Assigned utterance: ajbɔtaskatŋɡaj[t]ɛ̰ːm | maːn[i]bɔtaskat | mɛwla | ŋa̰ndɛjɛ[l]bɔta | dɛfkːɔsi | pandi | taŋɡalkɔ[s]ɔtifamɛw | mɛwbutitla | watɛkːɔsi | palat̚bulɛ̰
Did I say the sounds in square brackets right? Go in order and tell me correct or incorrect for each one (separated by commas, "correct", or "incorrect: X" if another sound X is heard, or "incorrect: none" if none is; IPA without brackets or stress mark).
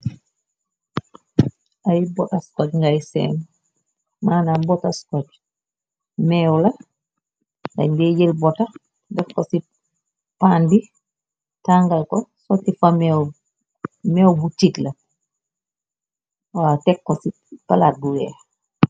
incorrect: s, incorrect: a, correct, correct